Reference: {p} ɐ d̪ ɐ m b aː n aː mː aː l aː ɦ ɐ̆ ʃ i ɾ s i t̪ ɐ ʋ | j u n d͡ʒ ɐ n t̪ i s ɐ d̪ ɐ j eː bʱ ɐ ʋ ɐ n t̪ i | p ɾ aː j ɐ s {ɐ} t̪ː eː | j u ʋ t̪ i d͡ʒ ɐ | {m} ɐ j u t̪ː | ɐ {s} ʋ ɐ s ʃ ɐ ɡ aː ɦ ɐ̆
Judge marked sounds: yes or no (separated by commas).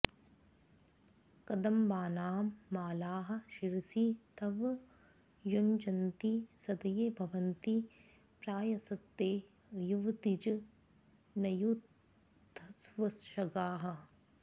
no, yes, no, yes